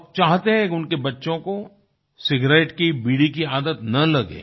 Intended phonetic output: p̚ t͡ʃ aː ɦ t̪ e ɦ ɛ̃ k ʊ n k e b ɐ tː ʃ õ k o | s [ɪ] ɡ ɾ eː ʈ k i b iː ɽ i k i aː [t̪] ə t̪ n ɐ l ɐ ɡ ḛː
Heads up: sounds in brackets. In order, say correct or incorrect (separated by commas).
correct, incorrect